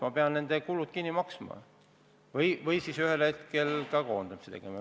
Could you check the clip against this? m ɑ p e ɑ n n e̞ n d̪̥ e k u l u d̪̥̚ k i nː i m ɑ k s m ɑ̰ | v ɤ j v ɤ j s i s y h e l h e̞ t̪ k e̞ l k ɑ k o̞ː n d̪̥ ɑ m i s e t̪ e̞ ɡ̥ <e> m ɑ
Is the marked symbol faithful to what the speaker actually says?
yes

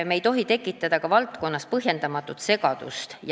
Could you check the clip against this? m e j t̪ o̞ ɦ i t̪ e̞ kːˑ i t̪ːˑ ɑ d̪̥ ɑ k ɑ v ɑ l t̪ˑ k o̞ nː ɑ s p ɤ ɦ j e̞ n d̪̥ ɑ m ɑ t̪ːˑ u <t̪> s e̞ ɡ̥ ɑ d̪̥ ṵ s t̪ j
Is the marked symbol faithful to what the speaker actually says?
yes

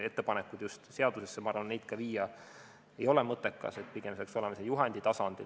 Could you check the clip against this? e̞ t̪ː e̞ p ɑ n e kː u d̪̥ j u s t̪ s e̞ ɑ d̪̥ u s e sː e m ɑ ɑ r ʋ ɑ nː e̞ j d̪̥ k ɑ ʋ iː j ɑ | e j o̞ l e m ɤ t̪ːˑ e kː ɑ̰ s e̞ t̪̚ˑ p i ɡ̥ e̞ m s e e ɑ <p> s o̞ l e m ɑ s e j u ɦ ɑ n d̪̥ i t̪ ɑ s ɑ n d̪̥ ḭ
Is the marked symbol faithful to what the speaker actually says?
no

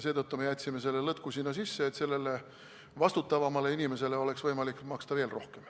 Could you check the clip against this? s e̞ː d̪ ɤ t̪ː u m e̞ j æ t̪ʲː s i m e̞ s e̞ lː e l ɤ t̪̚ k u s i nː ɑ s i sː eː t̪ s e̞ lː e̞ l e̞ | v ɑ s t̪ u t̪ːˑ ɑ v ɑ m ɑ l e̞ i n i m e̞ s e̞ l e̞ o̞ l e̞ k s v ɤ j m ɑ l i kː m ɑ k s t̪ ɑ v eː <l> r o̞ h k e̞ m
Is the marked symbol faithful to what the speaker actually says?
yes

